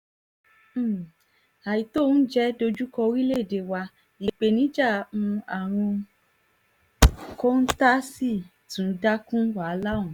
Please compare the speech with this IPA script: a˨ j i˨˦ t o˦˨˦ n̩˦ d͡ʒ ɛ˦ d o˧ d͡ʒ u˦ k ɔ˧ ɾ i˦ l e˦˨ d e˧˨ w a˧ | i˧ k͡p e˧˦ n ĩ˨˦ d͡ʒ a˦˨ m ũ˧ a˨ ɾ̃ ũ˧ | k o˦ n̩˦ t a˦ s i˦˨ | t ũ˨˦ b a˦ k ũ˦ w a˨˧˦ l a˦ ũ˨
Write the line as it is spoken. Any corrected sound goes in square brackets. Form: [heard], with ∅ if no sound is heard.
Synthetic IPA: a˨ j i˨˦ t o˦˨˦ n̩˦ d͡ʒ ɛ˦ d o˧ d͡ʒ u˦ k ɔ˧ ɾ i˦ l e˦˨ d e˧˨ w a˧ | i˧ k͡p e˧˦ n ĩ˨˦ d͡ʒ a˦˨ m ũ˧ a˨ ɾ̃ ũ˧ | k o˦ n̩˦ t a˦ s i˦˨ | t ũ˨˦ [d] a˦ k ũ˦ w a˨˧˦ l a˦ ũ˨